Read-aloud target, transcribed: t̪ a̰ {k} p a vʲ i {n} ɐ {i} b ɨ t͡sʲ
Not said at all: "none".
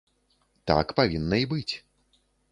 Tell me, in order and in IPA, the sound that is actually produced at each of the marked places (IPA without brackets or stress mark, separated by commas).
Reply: k, nː, i